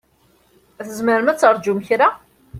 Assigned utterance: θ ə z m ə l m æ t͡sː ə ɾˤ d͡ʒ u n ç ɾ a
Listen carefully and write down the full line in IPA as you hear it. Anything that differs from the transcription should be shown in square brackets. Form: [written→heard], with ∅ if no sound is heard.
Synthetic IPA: θ ə z m ə [l→ɾ] m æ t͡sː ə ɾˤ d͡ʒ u [n→m] ç ɾ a